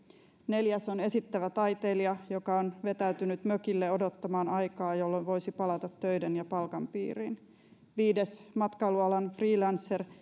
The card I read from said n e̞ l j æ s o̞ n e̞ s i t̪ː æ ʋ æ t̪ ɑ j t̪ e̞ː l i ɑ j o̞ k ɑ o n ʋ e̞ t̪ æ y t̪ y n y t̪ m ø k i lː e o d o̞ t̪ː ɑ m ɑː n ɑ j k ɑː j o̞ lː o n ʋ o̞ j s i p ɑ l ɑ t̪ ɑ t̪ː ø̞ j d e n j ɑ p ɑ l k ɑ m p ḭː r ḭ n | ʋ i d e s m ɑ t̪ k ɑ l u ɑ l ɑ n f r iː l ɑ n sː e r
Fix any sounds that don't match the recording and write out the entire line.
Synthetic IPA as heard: n e̞ l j æ s o̞ n e̞ s i t̪ː æ ʋ æ t̪ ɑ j t̪ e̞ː l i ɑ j o̞ k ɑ o n ʋ e̞ t̪ æ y t̪ y n y t̪ m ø k i lː e o d o̞ t̪ː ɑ m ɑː n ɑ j k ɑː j o̞ lː o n ʋ o̞ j s i p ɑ l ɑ t̪ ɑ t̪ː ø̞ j d e n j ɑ p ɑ l k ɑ m p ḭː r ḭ n | ʋ iː d e s m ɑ t̪ k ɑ l u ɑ l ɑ n f r iː l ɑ n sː e r